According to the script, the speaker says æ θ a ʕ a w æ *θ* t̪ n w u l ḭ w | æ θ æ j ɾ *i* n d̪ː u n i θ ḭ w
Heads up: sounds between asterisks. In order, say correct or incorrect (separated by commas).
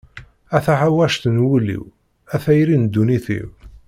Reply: incorrect, correct